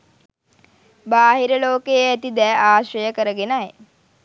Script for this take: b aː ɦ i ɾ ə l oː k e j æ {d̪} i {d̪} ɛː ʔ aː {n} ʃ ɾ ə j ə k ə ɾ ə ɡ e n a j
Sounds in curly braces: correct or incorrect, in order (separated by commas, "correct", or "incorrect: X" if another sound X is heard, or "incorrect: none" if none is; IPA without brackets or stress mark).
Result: incorrect: t̪, correct, incorrect: none